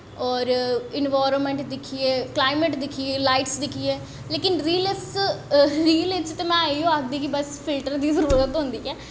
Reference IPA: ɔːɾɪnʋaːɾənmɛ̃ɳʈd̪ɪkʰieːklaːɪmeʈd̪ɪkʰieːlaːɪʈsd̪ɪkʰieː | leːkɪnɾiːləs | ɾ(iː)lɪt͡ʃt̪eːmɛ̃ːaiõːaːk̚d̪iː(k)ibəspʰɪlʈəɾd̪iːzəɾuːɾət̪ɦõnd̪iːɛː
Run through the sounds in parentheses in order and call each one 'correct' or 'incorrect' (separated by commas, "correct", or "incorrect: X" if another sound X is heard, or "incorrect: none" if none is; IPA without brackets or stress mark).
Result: correct, correct